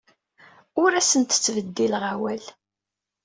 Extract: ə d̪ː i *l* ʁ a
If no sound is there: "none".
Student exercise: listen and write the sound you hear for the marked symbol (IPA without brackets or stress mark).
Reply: l